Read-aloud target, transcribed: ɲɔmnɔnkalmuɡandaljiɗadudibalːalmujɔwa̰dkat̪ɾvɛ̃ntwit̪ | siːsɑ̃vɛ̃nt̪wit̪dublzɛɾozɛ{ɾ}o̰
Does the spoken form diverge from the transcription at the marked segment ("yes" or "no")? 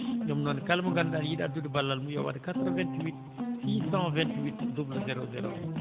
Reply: no